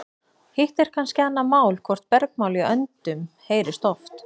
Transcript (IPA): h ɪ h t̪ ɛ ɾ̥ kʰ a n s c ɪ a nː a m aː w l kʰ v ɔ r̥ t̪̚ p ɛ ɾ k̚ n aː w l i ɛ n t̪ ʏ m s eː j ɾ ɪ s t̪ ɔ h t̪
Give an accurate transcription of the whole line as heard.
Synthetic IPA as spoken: h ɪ h t̪ ɛ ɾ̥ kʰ a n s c ɪ a nː a m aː w l kʰ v ɔ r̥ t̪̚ p ɛ ɾ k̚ m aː w l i œ n t̪ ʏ m h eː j ɾ ɪ s t̪ ɔ f t̪